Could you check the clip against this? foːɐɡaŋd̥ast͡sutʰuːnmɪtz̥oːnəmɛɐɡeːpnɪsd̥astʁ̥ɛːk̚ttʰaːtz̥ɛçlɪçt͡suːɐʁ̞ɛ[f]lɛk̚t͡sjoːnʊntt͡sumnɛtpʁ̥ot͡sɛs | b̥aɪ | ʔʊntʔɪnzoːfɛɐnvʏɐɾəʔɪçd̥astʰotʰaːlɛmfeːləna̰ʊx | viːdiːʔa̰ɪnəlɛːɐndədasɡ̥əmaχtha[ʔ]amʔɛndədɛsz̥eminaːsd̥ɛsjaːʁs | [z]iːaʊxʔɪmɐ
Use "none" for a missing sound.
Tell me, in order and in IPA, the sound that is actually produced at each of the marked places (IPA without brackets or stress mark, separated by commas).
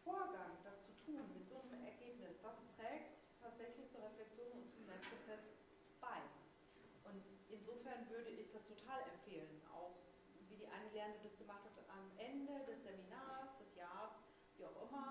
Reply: f, t, v